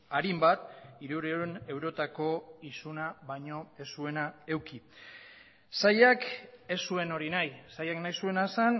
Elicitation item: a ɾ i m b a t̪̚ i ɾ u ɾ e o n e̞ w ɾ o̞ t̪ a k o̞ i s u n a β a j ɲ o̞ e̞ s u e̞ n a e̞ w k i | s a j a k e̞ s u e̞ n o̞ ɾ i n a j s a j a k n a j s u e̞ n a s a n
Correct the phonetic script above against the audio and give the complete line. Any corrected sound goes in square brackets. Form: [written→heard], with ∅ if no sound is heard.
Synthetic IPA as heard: a ɾ i m b a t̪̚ i ɾ u ɾ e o n e̞ w ɾ o̞ t̪ a k o̞ i s u n a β a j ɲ o̞ e̞ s u e̞ n a e̞ w k i | s a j a k e̞ s u e̞ n o̞ ɾ i n a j s a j a k n a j s u e̞ n a s a n